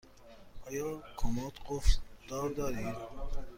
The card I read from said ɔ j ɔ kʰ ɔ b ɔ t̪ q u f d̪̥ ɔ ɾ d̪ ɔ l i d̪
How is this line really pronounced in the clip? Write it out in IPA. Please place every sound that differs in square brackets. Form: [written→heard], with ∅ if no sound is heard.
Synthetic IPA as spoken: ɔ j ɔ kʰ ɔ [b→m] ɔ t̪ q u f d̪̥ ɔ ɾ d̪ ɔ [l→ɾ] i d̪